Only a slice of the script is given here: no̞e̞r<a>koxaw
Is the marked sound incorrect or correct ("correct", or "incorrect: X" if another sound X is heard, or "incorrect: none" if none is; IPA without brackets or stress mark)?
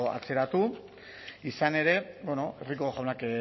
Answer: incorrect: i